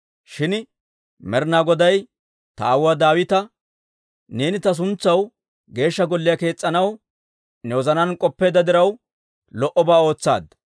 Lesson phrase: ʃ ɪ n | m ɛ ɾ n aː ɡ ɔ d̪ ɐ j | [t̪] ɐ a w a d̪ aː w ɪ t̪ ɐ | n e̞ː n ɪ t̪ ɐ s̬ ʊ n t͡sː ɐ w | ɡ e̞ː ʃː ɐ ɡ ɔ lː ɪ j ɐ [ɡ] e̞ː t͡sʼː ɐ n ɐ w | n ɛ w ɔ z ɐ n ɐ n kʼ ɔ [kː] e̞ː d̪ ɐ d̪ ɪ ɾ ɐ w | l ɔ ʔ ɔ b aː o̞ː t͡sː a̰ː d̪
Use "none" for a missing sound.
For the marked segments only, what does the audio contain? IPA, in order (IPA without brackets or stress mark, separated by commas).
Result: t̪, k, pː